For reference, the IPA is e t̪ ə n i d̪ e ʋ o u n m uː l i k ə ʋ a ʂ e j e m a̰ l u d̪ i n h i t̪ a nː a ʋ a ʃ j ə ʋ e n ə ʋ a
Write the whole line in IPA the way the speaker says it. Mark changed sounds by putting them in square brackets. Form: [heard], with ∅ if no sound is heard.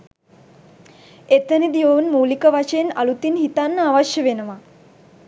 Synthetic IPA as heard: e t̪ ə n i d̪ [i] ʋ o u n m uː l i k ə ʋ a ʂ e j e [n] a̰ l u [t̪] i n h i t̪ a nː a ʋ a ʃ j ə ʋ e n ə ʋ a